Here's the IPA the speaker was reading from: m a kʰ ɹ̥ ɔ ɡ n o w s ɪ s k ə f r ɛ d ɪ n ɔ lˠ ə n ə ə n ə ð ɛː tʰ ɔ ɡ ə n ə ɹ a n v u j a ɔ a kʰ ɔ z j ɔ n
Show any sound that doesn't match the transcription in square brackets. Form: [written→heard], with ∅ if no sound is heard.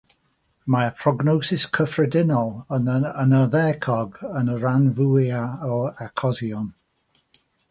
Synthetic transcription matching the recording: m a [kʰ→pʰ] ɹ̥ ɔ ɡ n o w s ɪ s [k→kʰ] ə f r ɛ d ɪ n ɔ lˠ ə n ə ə n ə ð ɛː [tʰ→kʰ] ɔ ɡ ə n ə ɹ a n v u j a ɔ a kʰ ɔ z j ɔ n